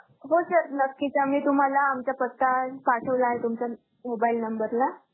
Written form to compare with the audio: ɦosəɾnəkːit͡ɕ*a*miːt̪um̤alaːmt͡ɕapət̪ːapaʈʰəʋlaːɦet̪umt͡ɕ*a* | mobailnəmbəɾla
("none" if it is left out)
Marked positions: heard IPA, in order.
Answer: a, a

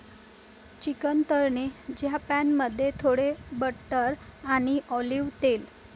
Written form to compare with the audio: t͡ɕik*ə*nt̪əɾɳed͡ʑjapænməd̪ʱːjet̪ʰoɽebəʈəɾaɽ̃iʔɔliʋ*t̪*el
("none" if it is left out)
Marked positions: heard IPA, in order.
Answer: ə, t̪

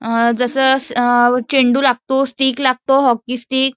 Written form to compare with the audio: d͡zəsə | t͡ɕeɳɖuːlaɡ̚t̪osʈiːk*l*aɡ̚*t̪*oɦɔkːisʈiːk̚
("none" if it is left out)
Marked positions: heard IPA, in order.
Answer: l, t̪

